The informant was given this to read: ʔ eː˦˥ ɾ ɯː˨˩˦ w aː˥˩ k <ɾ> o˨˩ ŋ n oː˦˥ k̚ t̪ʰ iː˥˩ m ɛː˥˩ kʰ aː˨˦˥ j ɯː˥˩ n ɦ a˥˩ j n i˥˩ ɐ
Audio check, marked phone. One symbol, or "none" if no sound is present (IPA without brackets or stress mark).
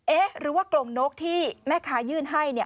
l